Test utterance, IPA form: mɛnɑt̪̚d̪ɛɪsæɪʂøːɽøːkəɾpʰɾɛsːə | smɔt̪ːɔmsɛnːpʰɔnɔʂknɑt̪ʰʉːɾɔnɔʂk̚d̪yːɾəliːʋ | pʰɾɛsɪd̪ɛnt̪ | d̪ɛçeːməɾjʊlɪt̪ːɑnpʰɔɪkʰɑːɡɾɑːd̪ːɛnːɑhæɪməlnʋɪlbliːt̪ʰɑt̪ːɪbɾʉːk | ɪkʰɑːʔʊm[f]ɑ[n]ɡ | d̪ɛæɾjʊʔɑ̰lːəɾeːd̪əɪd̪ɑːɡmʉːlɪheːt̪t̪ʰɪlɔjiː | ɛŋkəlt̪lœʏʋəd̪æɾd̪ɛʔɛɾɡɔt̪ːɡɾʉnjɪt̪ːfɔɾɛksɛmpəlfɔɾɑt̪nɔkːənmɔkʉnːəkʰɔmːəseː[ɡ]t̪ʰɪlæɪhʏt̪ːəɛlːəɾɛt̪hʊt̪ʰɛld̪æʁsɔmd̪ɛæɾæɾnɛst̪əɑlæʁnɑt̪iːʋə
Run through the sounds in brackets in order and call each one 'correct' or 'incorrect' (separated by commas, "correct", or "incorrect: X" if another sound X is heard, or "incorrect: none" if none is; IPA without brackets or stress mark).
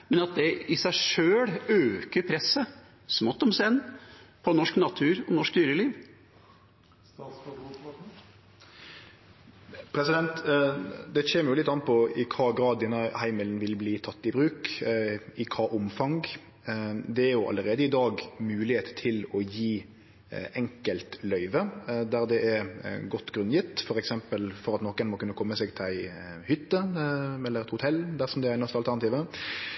correct, incorrect: ŋ, correct